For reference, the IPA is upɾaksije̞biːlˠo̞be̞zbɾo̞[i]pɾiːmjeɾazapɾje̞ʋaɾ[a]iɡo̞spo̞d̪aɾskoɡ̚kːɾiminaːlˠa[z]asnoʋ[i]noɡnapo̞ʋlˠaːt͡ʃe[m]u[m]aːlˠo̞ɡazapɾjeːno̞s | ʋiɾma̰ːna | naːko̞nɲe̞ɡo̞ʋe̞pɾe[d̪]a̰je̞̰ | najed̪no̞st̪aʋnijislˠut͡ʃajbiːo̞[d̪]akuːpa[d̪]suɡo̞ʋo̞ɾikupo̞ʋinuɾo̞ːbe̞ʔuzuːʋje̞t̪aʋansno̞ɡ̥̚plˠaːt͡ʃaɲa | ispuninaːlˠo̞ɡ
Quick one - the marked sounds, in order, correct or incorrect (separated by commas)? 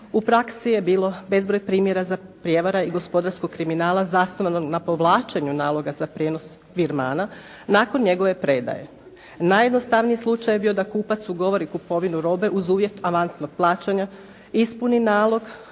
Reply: incorrect, correct, correct, incorrect, incorrect, incorrect, correct, correct, incorrect